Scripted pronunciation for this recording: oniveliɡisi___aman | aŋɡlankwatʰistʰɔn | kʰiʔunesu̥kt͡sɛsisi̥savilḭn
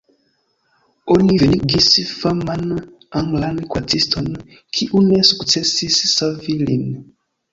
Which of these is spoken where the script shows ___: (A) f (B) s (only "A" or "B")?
A